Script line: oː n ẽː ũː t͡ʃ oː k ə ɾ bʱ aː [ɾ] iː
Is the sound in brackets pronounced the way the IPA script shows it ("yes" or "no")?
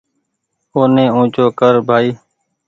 no